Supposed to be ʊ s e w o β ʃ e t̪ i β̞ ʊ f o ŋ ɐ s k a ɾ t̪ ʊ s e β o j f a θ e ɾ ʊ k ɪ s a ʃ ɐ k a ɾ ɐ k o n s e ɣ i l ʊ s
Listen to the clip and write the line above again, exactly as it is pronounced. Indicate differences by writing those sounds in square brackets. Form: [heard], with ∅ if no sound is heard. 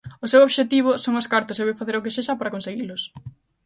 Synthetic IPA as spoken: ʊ s e w o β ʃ e t̪ i β̞ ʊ [s] o ŋ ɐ s k a ɾ t̪ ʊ s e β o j f a θ e ɾ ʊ k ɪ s [e] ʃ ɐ [p] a ɾ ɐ k o n s e ɣ i l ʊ s

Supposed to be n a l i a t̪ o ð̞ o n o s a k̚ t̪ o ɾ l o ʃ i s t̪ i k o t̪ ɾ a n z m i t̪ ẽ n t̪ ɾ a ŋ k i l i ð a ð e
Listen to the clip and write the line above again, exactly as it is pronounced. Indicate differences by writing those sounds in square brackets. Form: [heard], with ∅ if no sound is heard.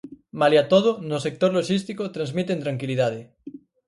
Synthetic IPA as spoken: [m] a l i a t̪ o ð̞ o n o s [e] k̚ t̪ o ɾ l o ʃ i s t̪ i k o t̪ ɾ a n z m i t̪ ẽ n t̪ ɾ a ŋ k i l i ð a ð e

